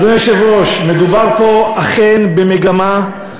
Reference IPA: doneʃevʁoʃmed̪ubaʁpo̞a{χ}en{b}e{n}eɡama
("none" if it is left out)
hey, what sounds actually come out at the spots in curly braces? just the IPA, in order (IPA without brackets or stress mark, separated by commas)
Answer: χ, b, m